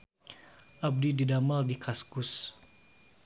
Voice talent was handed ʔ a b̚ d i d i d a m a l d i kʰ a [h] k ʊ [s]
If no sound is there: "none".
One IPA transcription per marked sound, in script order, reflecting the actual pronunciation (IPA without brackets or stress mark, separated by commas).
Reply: s, s